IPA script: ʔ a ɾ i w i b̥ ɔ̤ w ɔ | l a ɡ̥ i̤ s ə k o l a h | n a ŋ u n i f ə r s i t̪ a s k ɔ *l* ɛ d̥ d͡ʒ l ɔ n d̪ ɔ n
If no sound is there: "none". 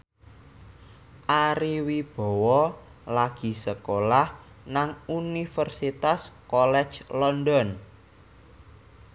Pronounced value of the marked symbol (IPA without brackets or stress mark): l